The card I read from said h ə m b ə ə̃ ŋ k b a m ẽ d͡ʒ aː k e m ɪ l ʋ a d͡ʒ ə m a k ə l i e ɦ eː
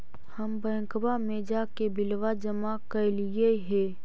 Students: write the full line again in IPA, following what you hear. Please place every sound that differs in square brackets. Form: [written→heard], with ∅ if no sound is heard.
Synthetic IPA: h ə m b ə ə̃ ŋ k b a m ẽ d͡ʒ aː k e [m→b] ɪ l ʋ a d͡ʒ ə m a k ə l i e ɦ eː